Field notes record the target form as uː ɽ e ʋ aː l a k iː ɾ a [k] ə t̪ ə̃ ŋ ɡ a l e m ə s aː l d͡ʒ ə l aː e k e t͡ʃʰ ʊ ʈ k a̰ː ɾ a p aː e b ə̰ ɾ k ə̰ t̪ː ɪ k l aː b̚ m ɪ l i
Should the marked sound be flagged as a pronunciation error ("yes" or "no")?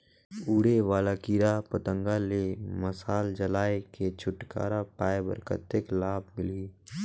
yes